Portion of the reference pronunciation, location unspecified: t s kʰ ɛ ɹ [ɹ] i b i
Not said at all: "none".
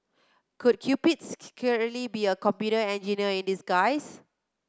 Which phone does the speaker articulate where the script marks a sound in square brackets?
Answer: l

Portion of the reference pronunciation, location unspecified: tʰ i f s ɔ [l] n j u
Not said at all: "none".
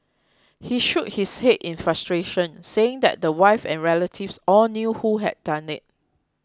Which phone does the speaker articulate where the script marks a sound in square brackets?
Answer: l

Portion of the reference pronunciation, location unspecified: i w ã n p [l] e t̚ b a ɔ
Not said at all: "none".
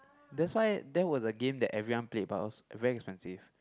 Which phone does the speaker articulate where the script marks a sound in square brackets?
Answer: l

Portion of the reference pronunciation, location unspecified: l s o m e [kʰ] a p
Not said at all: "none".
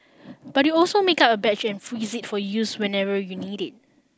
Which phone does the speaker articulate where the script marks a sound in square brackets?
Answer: k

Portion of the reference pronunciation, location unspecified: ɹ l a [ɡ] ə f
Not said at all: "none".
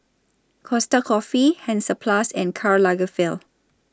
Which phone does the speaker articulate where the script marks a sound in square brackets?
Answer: ɡ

